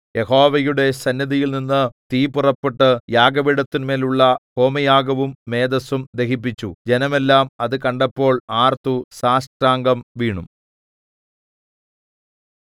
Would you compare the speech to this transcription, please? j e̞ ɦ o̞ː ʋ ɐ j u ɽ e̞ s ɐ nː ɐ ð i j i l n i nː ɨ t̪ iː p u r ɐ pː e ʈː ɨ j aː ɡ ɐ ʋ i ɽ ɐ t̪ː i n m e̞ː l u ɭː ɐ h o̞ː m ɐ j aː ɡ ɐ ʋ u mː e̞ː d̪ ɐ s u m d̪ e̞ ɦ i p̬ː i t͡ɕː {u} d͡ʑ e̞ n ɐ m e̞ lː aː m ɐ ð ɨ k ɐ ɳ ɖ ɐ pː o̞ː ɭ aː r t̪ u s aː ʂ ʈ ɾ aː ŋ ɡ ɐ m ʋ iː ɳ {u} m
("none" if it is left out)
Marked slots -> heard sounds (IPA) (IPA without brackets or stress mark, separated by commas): u, u